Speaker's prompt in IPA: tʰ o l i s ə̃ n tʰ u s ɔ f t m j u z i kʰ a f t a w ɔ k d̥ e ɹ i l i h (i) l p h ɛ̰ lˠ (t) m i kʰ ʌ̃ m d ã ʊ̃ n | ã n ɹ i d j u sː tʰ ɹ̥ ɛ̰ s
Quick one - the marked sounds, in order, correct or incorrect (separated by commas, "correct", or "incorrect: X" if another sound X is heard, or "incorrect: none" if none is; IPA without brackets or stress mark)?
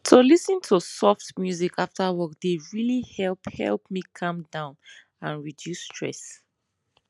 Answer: incorrect: ɛ, incorrect: p